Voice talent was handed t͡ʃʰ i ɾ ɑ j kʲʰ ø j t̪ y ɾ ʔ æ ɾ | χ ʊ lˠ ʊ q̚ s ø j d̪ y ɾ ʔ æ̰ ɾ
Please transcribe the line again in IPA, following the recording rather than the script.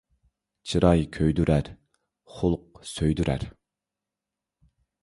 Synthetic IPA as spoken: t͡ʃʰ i ɾ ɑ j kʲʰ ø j d̪ y ɾ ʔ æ ɾ | χ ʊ lˠ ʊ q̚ s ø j d̪ y ɾ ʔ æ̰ ɾ